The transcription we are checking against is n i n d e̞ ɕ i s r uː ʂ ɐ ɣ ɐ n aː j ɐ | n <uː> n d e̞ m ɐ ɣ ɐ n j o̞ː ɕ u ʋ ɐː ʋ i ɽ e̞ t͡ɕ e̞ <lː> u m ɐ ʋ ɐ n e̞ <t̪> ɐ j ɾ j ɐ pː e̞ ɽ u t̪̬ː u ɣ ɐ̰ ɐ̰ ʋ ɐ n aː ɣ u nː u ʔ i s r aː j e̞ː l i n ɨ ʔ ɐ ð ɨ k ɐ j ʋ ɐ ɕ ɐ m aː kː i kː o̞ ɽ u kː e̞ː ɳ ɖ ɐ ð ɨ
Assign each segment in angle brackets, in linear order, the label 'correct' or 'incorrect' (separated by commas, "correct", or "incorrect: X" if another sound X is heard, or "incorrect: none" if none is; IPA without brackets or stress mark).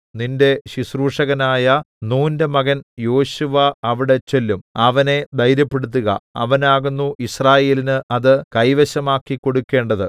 correct, correct, incorrect: d̪